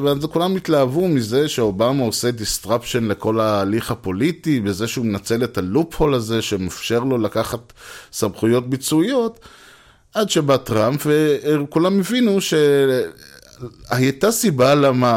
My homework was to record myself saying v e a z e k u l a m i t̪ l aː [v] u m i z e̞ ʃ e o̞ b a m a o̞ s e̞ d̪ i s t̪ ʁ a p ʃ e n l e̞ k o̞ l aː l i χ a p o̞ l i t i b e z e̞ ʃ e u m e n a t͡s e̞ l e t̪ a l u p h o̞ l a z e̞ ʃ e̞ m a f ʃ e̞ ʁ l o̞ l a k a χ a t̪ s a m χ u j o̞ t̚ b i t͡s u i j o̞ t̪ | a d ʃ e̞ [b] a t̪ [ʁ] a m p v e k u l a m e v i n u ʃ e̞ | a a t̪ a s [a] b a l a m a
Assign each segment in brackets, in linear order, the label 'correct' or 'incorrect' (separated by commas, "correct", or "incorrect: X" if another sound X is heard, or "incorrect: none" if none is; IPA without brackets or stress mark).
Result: correct, correct, correct, incorrect: i